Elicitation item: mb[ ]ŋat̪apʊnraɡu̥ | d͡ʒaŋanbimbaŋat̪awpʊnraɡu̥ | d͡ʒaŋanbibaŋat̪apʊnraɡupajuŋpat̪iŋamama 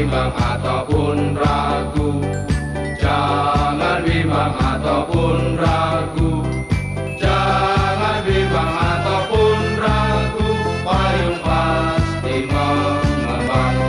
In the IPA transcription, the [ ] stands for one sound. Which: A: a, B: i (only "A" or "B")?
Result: A